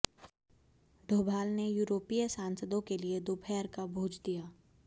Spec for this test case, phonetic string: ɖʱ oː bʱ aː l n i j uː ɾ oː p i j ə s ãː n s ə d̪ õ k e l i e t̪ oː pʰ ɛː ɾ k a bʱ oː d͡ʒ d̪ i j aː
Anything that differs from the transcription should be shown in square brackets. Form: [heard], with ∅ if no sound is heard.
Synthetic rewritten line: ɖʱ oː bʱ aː l n [e] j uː ɾ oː p i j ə s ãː n s ə d̪ õ k e l i e [d̪] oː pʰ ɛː ɾ k a bʱ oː d͡ʒ d̪ i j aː